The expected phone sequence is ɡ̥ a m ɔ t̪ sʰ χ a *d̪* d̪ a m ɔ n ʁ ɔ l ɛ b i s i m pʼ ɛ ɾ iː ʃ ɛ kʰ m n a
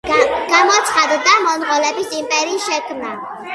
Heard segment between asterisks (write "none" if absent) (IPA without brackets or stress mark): d̪